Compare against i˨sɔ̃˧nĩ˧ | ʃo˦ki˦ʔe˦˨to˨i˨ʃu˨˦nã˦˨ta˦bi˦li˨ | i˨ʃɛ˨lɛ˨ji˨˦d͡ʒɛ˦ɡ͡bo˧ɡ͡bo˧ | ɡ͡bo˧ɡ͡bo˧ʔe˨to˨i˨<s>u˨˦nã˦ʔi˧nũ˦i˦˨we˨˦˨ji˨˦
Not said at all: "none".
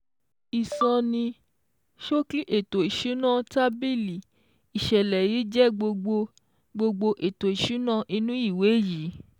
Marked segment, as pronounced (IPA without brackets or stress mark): ʃ